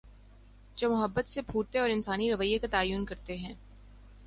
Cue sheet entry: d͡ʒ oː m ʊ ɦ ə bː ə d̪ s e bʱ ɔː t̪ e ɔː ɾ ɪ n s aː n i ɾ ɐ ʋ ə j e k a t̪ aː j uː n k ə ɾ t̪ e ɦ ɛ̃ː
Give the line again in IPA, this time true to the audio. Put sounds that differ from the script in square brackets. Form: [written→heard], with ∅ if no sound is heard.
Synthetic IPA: d͡ʒ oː m ʊ ɦ ə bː ə [d̪→t̪] s e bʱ [ɔː→uː] t̪ e ɔː ɾ ɪ n s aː n i ɾ ɐ ʋ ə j e k a t̪ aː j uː n k [ə→ɐ] ɾ t̪ e ɦ ɛ̃ː